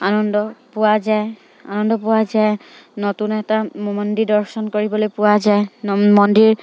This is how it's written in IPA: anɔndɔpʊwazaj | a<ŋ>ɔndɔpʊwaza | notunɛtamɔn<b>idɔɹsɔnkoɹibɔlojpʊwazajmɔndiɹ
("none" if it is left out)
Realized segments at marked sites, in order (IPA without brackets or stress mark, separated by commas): n, d